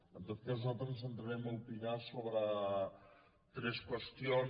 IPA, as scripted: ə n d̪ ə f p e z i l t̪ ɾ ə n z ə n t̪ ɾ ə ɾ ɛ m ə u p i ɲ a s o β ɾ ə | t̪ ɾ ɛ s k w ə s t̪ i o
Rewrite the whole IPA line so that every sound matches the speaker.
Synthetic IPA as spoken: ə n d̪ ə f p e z a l t̪ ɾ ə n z ə n t̪ ɾ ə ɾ ɛ m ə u p i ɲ a s o β ɾ ə | t̪ ɾ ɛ s k w ə s t̪ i o